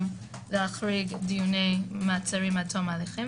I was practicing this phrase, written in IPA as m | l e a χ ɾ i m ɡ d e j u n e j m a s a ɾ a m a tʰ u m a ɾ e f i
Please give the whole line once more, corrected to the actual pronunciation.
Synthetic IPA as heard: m | l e a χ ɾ i ɡ d i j u n e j m a t͡s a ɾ i m a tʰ o m a l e χ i